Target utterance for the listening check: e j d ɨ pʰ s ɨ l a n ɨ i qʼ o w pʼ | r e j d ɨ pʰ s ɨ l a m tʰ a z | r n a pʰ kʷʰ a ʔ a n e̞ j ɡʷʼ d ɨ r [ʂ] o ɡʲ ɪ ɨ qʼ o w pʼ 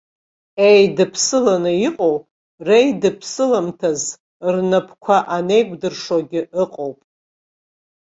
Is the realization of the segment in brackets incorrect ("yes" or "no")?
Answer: no